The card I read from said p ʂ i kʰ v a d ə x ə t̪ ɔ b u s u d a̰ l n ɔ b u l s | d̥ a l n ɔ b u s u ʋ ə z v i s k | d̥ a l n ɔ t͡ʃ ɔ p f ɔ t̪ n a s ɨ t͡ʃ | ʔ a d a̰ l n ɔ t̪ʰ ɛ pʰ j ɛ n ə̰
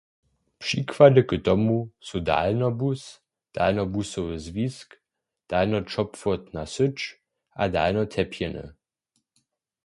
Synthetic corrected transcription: p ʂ i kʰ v a d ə k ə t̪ ɔ m u s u d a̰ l n ɔ b u s | d̥ a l n ɔ b u s ɔ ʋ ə z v i s k | d̥ a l n ɔ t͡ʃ ɔ p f ɔ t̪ n a s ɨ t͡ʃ | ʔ a d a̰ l n ɔ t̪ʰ ɛ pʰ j ɛ n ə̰